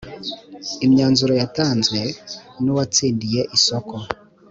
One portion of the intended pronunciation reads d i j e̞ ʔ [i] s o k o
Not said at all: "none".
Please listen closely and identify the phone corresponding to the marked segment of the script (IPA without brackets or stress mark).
i